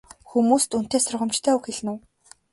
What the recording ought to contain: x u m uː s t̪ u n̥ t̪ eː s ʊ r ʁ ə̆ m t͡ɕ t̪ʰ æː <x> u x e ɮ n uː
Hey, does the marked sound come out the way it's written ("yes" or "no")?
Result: no